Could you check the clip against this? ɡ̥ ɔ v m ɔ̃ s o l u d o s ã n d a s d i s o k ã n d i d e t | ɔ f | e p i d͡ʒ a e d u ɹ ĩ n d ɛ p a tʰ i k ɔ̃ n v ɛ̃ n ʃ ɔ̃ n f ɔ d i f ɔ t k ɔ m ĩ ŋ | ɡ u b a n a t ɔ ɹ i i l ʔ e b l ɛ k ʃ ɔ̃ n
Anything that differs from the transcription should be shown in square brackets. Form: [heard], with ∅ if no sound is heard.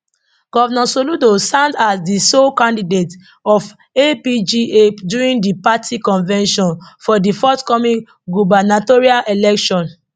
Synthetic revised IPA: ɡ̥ ɔ v [n] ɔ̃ s o l u d o s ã n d a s d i s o k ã n d i d e t | ɔ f | e p i d͡ʒ [i] e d u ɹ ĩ n d [i] p a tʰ i k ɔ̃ n v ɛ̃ n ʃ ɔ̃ n f ɔ d i f ɔ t k ɔ m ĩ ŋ | ɡ u b a n a t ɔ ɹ i [a] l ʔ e [∅] l ɛ k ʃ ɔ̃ n

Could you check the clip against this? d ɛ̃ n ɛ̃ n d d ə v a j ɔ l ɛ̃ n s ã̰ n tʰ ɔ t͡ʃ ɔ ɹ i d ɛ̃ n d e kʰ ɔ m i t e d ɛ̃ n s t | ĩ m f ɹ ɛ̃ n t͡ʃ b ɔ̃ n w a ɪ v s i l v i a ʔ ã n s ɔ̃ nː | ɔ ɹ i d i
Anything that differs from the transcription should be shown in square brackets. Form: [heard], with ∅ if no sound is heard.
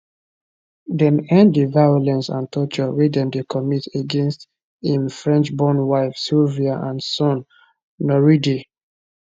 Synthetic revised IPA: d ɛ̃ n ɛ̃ n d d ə v a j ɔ l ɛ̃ n s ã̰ n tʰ ɔ t͡ʃ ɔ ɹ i d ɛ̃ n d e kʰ ɔ m i t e [ɡ] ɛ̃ n s t | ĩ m f ɹ ɛ̃ n t͡ʃ b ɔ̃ n w a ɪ [f] s i l v i a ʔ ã n s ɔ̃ nː | ɔ ɹ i d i

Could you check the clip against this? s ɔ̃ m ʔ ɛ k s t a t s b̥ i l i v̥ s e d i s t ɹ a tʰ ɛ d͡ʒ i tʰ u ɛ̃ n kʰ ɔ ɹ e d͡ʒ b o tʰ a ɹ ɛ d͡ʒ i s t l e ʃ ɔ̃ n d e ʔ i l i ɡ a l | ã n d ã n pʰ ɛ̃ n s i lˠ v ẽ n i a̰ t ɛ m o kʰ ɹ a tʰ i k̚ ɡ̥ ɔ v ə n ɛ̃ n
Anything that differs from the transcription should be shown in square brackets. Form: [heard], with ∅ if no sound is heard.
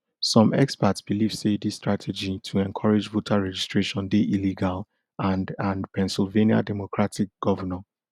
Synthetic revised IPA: s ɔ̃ m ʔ ɛ k s [p] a t s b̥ i l i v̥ s e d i s t ɹ a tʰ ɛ d͡ʒ i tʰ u ɛ̃ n kʰ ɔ ɹ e d͡ʒ [v] o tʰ a ɹ ɛ d͡ʒ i s t [ɹ] e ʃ ɔ̃ n d e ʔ i l i ɡ a l | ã n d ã n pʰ ɛ̃ n s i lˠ v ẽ n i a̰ [d] ɛ m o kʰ ɹ a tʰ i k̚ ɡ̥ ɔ v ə n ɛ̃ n

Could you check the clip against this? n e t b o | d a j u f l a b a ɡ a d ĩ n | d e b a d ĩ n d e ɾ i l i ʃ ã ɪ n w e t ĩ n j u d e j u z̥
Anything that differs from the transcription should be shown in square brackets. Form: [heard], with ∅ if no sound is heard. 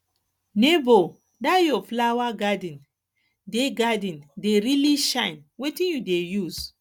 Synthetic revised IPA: n e [∅] b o | d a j [ɔ] f l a [w] a ɡ a d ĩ n | d e [ɡ] a d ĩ n d e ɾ i l i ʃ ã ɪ n w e t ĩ n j u d e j u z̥

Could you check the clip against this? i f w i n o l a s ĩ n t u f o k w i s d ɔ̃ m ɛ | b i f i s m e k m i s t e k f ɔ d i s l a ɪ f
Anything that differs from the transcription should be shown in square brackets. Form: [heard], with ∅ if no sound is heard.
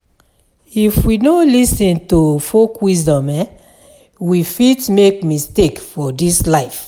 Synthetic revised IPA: i f w i n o l [i] s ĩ n t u f o k w i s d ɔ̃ m ɛ | [w] i f i [t] m e k m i s t e k f ɔ d i s l a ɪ f

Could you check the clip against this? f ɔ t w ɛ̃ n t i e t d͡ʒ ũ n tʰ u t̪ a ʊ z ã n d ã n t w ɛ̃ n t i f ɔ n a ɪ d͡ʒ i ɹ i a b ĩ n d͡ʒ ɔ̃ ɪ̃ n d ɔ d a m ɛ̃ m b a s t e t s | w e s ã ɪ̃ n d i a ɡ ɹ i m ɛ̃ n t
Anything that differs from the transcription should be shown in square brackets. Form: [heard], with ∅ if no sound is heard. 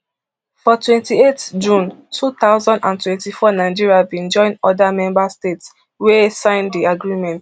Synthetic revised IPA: f ɔ t w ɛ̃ n t i e t d͡ʒ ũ n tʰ u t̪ a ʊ z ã n d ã n t w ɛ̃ n t i f ɔ n a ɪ d͡ʒ i ɹ i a b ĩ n d͡ʒ ɔ̃ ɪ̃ n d ɔ d a m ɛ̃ m b a s t e t s | w e s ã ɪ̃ n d i a ɡ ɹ i m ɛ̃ n t

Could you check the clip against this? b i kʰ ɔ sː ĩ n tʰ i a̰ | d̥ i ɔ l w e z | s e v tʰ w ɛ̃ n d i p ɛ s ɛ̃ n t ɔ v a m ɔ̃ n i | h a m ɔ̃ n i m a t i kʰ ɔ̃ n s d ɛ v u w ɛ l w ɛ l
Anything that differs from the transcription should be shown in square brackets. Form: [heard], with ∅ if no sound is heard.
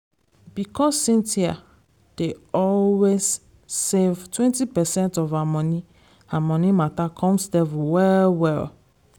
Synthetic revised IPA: b i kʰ ɔ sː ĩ n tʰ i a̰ | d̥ [e] ɔ l w e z | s e v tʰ w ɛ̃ n [t] i p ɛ s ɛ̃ n t ɔ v a m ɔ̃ n i | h a m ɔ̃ n i m a t [a] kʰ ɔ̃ [m] s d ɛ v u w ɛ l w ɛ l

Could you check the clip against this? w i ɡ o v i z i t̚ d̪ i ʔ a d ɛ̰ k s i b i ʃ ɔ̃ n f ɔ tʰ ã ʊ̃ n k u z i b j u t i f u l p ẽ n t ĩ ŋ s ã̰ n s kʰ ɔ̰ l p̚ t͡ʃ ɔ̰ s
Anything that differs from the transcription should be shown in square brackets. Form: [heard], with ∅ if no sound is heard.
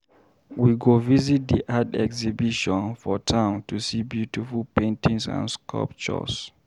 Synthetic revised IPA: w i ɡ o v i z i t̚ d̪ i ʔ a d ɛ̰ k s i b i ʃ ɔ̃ n f ɔ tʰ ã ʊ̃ n [t] u [s] i b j u t i f u l p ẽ n t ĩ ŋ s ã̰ n s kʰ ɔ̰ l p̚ t͡ʃ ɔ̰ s

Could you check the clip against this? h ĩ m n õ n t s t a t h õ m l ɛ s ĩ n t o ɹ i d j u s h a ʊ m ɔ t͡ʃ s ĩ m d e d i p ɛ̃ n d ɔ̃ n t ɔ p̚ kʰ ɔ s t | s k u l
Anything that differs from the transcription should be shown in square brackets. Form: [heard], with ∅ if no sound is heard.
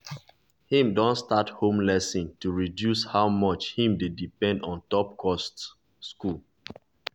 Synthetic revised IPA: h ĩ m [d] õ n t s t a t h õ m l ɛ s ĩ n t [u] ɹ i d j u s h a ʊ m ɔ t͡ʃ [h] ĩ m d e d i p ɛ̃ n d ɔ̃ n t ɔ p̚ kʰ ɔ s t | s k u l

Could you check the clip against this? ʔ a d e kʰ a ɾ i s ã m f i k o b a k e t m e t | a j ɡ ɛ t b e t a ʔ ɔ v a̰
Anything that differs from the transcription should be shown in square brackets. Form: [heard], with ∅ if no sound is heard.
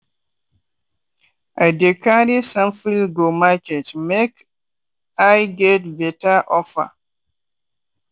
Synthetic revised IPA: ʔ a d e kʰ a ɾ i s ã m f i [ɡ] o [m] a k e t m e [k] | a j ɡ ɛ t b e t a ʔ ɔ [f] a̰

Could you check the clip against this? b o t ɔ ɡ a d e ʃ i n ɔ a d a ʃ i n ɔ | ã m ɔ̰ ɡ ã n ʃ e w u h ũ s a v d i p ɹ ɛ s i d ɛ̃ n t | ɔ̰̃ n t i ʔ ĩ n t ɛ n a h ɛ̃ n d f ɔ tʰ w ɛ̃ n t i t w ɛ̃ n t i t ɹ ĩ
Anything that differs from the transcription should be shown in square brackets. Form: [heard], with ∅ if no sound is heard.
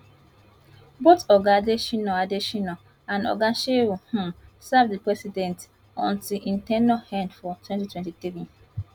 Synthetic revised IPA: b o t ɔ ɡ a d e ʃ i n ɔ a d [e] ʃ i n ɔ | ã [n] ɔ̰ ɡ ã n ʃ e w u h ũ s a v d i p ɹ ɛ s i d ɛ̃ n t | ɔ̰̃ n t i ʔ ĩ n t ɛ n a h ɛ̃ n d f ɔ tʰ w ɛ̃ n t i t w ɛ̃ n t i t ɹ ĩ

